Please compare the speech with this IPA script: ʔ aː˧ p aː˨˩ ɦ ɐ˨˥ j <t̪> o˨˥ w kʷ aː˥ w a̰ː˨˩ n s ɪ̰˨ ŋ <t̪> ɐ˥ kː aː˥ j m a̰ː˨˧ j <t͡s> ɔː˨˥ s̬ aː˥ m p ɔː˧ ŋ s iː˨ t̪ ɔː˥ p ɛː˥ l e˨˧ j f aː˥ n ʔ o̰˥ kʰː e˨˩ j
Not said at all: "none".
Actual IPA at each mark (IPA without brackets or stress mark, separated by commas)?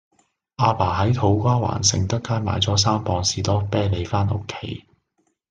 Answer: t̪ʰ, t̪, t͡s